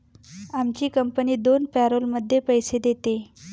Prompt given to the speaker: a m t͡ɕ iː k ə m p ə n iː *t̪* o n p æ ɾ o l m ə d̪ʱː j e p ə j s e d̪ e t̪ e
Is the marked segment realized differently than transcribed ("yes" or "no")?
yes